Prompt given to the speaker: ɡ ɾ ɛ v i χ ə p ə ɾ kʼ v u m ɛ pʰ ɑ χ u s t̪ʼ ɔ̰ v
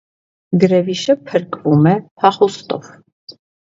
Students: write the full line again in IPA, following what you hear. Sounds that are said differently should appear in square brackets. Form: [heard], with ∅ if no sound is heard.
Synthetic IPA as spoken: ɡ ɾ ɛ v i [ʃ] ə [pʰ] ə ɾ kʼ v u m ɛ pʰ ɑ χ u s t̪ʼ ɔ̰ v